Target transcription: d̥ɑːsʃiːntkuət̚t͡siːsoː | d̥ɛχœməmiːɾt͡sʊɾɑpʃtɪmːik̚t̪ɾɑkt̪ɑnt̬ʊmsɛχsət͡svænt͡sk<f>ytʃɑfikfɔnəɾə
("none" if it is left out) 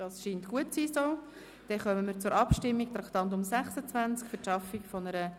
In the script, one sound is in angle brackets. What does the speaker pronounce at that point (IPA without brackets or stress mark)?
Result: f